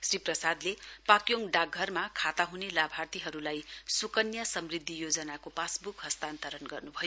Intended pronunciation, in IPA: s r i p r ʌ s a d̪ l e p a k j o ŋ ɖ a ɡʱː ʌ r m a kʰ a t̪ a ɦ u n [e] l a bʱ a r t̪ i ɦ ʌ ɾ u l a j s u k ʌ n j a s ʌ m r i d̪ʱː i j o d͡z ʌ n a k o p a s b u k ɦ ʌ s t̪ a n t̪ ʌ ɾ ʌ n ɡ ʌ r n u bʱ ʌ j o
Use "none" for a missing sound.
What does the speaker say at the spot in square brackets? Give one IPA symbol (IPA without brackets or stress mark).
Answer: e